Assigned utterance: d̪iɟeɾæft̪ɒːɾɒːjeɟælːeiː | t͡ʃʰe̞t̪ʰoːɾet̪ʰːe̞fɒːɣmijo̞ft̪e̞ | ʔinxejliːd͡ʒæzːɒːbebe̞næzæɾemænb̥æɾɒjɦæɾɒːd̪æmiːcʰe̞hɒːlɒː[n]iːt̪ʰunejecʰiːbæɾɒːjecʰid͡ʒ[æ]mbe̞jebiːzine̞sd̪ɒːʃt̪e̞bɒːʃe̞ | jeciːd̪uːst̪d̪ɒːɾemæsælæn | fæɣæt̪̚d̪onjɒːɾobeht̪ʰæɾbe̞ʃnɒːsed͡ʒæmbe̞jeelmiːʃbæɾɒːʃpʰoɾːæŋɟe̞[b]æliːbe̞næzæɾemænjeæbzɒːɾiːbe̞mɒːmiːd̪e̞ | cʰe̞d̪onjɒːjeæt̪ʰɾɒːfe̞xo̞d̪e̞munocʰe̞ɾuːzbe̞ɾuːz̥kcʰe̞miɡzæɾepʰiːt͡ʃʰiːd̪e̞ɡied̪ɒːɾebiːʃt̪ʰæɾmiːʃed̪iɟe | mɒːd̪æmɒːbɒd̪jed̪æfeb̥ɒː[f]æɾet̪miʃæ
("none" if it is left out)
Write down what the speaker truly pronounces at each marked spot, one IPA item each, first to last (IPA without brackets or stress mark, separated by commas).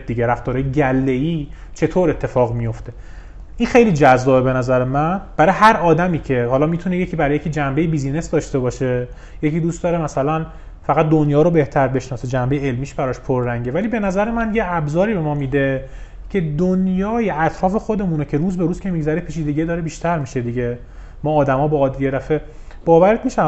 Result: m, æ, v, v